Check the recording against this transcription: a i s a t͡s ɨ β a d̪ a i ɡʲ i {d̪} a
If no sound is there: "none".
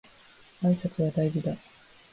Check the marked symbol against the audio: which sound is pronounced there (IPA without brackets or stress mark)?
d̪